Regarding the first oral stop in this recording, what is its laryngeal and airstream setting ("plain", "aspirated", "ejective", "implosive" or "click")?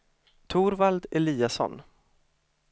aspirated